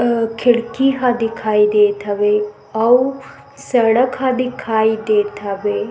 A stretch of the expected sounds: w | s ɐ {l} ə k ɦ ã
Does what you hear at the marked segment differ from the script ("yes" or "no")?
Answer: yes